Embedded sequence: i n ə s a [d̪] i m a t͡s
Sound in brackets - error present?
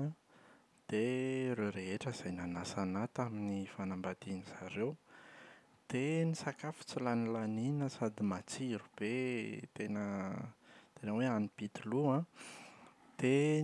no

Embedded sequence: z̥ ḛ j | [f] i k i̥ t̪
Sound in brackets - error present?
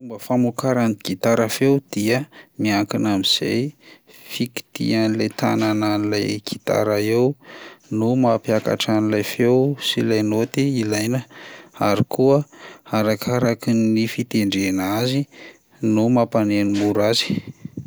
no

